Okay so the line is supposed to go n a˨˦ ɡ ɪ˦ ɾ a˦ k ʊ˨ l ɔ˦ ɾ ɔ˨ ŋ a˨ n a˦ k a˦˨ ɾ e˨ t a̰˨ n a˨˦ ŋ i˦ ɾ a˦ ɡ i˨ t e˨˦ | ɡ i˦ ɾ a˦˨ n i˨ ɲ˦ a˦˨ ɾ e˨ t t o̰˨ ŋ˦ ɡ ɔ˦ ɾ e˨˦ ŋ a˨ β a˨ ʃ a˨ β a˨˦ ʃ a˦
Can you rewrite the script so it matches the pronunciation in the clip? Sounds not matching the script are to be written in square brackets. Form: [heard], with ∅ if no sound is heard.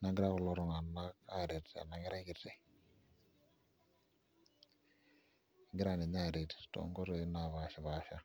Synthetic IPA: n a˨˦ ɡ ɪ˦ ɾ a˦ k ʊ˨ l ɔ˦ ɾ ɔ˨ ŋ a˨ n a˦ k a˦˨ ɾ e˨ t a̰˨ n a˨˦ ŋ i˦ ɾ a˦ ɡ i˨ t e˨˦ | ɡ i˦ ɾ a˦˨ n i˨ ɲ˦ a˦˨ ɾ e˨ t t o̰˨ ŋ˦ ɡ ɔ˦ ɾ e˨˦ [n] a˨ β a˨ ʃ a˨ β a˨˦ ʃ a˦

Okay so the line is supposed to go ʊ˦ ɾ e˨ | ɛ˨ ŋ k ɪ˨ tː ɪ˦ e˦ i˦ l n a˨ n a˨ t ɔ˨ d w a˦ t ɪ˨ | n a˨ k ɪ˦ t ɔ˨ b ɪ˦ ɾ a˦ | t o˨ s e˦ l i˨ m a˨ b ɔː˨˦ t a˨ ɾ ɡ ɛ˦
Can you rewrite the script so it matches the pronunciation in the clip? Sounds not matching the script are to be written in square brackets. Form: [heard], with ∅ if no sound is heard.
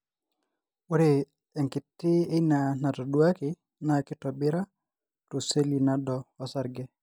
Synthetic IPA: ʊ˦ ɾ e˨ | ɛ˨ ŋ k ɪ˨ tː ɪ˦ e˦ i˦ [∅] n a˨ n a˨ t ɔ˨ d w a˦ [k] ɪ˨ | n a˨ k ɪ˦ t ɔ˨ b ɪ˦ ɾ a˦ | t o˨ s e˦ l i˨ [n] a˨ [d] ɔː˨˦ [s] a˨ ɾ ɡ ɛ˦

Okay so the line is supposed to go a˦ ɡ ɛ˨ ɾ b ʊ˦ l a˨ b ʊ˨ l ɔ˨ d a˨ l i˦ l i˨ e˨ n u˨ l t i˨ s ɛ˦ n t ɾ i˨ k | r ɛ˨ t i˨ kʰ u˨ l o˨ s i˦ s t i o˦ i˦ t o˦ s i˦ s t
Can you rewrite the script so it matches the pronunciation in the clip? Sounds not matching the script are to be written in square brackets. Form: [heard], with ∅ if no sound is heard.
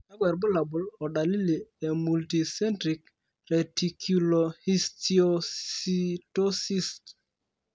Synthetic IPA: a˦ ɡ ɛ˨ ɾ b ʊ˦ l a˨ b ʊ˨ l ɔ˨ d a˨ l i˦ l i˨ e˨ [m] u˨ l t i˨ s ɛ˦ n t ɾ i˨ k | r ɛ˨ t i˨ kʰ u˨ l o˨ [h] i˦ s t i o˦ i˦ t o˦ s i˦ s t

